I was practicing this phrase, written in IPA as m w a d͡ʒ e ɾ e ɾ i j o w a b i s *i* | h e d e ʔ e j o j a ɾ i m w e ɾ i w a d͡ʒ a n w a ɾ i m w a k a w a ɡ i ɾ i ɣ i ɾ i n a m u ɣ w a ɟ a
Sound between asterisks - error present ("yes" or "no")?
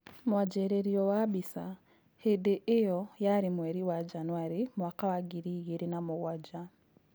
yes